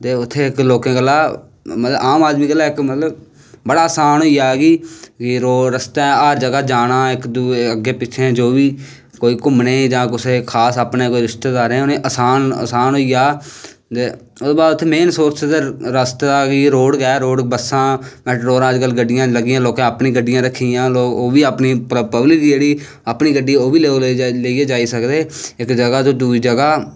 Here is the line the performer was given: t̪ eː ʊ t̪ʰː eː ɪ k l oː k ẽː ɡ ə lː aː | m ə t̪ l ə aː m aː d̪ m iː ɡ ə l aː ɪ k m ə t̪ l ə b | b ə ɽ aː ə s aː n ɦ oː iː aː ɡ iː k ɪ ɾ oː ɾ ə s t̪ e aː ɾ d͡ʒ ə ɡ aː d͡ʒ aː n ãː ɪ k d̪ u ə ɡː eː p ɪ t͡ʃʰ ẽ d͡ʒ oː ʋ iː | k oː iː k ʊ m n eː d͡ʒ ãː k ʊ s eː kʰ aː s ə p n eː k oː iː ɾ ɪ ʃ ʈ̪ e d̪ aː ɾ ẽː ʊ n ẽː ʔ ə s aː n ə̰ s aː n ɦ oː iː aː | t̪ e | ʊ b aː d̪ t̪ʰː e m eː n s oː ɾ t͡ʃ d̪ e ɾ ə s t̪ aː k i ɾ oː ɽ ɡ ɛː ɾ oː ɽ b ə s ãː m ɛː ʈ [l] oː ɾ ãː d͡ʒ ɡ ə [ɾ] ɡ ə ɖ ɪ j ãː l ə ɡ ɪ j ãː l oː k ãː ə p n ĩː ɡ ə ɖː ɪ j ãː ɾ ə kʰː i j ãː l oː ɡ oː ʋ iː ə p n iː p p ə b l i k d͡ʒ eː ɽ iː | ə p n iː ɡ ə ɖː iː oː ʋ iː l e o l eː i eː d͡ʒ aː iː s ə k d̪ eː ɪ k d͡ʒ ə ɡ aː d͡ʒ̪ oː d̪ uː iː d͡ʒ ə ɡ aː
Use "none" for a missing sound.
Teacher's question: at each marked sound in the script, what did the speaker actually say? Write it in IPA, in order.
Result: ɾ, l

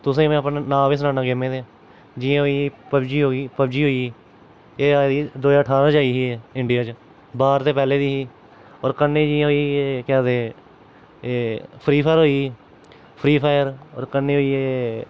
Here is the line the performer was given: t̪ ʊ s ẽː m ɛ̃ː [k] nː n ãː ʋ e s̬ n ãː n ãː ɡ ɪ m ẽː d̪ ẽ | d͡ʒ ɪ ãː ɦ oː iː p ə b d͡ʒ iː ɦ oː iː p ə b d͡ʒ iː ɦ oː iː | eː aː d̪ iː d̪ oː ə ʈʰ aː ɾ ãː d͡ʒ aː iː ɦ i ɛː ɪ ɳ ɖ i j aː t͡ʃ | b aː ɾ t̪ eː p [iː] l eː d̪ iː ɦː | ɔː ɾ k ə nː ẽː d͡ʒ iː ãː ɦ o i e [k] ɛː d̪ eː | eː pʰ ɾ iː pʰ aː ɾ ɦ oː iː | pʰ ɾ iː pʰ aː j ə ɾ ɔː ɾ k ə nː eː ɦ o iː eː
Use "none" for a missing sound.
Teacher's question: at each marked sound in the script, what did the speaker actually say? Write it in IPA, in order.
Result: p, ɛː, k

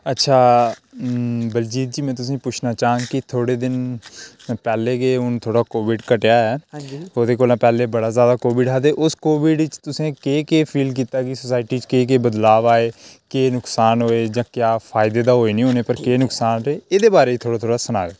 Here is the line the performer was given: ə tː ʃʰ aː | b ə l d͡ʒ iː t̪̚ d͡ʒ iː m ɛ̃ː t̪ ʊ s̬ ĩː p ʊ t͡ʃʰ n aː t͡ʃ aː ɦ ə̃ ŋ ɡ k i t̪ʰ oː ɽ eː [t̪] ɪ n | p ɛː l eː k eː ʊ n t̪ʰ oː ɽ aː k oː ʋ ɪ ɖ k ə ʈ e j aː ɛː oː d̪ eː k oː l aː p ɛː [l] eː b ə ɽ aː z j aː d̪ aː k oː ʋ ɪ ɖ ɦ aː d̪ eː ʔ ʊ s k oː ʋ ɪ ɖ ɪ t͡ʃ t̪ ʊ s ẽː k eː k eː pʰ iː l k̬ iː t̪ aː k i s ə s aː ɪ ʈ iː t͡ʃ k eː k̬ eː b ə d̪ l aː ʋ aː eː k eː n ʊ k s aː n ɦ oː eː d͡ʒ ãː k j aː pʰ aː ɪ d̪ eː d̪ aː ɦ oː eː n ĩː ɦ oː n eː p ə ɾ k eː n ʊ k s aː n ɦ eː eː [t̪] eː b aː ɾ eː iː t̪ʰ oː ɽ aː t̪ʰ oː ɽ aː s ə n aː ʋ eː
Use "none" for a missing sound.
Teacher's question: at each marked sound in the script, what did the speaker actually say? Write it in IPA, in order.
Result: d̪, l, d̪

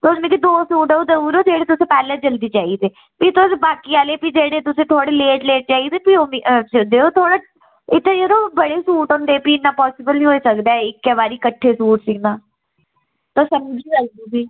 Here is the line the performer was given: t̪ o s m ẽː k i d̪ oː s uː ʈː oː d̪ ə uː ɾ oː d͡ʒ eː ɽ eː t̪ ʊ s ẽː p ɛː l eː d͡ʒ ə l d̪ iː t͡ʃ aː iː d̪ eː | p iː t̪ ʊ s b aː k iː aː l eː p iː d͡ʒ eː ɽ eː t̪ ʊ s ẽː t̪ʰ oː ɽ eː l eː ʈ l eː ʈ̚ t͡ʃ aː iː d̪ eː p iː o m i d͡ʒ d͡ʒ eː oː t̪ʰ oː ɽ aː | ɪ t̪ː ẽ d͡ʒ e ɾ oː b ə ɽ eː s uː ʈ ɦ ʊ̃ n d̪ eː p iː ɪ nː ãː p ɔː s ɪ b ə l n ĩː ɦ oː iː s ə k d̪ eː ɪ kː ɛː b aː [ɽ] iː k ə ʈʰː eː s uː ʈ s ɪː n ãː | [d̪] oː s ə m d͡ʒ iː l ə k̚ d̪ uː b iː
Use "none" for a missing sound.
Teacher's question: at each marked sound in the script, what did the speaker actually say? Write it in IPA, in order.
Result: ɾ, t̪

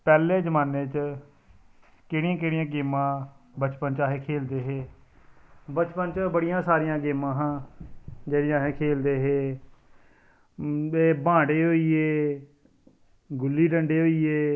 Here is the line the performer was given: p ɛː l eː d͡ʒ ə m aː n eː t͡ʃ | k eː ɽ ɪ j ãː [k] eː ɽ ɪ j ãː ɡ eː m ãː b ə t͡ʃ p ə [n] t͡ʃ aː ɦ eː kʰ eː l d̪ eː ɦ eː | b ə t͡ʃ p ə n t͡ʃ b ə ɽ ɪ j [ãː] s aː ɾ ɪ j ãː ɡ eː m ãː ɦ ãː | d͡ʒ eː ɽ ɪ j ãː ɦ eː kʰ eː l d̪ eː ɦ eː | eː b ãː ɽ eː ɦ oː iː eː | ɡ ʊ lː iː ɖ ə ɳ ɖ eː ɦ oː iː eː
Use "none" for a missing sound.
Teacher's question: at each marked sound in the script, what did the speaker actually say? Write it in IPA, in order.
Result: k, n, ãː

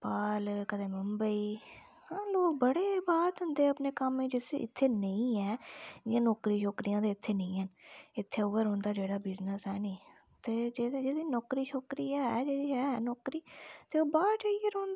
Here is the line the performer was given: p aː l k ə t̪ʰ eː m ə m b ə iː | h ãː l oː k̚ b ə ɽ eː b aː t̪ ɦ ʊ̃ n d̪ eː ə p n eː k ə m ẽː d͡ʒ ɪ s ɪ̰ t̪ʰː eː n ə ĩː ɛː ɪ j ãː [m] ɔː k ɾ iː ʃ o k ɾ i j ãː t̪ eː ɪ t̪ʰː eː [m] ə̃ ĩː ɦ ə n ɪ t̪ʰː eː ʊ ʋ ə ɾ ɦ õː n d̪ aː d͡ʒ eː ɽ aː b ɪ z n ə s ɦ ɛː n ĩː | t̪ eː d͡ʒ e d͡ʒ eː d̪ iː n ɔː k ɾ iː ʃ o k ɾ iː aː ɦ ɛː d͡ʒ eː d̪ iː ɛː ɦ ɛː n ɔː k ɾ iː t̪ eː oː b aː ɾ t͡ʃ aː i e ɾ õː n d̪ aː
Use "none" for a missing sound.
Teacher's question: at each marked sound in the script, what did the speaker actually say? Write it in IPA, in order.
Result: n, n

